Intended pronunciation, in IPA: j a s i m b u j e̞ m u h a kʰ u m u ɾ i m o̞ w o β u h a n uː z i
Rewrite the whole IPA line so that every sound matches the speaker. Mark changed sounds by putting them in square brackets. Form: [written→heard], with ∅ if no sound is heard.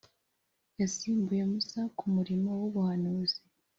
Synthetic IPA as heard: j a s [i→iː] m b u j e̞ m u [h→s] a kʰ u m u ɾ i m o̞ w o β u h a n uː z i

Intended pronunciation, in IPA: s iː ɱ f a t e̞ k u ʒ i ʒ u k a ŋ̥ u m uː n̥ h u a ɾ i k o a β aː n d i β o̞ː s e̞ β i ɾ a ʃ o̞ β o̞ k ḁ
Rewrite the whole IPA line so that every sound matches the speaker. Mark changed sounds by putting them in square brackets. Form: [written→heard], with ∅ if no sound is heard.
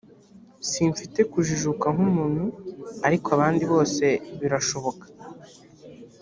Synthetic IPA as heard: s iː ɱ f [a→i] t e̞ k u ʒ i ʒ u k a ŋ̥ u m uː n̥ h u a ɾ i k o a β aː n d i β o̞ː s e̞ β i ɾ a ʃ o̞ β o̞ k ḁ

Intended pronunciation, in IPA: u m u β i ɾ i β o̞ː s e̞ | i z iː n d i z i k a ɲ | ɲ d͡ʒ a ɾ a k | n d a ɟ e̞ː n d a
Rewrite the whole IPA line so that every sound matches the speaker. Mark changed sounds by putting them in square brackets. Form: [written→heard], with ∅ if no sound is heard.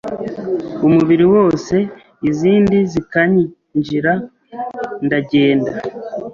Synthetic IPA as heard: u m u β i ɾ i [β→w] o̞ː s e̞ | i z iː n d i z i k a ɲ | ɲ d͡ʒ [a→i] ɾ a [k→∅] | n d a ɟ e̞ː n d a

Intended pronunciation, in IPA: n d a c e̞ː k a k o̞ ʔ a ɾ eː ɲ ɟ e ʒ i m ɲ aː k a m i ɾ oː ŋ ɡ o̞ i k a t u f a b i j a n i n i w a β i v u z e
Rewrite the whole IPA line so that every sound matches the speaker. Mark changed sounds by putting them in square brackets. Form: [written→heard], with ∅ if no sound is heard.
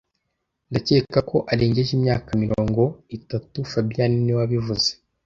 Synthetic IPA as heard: n d a c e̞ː k a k o̞ ʔ a ɾ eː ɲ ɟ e ʒ i m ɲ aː k a m i ɾ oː ŋ ɡ o̞ i [k→t] a t u f a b i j a n i n i w a β i v u z e

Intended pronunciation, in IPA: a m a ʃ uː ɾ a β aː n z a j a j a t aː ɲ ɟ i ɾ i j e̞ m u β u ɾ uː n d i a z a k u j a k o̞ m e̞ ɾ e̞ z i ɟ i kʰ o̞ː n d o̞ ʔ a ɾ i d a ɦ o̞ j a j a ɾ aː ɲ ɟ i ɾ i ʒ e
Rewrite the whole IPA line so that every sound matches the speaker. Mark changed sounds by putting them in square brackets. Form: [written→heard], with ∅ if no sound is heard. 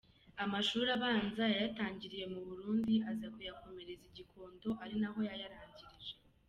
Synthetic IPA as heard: a m a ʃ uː ɾ a β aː n z a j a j a t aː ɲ ɟ i ɾ i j e̞ m u β u ɾ uː n d i a z a k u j a k o̞ m e̞ ɾ e̞ z i ɟ i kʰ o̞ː n d o̞ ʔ a ɾ i [d→n] a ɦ o̞ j a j a ɾ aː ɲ ɟ i ɾ i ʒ e

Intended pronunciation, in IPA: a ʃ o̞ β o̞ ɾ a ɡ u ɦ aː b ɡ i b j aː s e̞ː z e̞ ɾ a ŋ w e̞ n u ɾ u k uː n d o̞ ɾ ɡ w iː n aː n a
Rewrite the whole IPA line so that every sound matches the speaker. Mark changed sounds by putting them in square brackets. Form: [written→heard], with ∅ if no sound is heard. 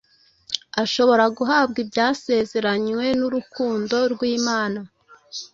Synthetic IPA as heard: a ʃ o̞ β o̞ ɾ a ɡ u ɦ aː b ɡ i b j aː s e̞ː z e̞ ɾ a [ŋ→ɲ] w e̞ n u ɾ u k uː n d o̞ ɾ ɡ w iː [n→m] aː n a

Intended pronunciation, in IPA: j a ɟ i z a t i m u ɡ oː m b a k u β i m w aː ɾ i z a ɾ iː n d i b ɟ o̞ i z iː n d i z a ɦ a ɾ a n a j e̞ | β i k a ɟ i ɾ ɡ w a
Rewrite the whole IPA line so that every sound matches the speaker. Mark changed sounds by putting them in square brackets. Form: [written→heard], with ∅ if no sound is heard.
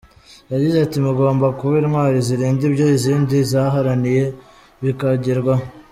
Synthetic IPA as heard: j a ɟ i z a t i m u ɡ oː m b a k u β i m w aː ɾ i z [a→i] ɾ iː n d i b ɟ o̞ i z iː n d i z a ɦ a ɾ a n [a→i] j e̞ | β i k a ɟ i ɾ ɡ w a

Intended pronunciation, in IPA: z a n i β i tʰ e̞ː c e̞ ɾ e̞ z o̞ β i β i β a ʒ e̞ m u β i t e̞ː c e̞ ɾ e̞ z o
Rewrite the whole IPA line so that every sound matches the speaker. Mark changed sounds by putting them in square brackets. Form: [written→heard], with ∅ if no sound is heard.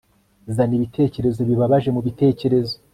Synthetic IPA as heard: z a n i β i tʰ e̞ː c e̞ ɾ e̞ z o̞ β i β [i→a] β a ʒ e̞ m u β i t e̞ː c e̞ ɾ e̞ z o

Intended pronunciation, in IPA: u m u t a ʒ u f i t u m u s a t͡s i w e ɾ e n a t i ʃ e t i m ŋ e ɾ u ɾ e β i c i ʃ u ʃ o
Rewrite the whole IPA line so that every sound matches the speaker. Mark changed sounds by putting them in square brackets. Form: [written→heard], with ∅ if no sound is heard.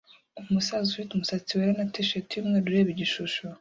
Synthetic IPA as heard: u m u [t→s] a [ʒ→z] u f i t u m u s a t͡s i w e ɾ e n a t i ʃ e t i m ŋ e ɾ u ɾ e β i [c→ɟ] i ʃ u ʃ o

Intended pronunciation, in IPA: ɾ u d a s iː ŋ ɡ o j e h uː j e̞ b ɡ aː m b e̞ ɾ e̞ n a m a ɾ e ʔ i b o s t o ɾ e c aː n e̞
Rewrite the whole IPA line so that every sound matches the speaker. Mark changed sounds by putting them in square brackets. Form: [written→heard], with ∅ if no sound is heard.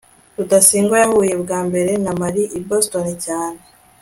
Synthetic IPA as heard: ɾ u d a s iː ŋ ɡ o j [e→a] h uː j e̞ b ɡ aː m b e̞ ɾ e̞ n a m a ɾ [e→i] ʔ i b o s t o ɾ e c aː n e̞

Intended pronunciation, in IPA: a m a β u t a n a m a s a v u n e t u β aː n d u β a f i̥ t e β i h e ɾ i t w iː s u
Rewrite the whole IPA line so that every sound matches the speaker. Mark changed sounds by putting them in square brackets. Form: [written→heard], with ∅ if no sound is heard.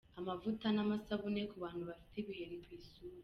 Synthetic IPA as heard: a m a [β→v] u t a n a m a s a [v→β] u n e [t→k] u β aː n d u β a f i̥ t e β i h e ɾ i [t→k] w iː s u

